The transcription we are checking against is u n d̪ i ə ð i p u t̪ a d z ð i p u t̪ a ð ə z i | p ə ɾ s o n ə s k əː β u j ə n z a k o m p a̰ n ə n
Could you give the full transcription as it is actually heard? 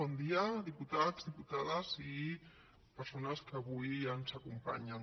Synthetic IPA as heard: ɔ n d̪ i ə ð i p u t̪ a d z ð i p u t̪ a ð ə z i | p ə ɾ s o n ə s k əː β u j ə n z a k u m p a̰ ɲ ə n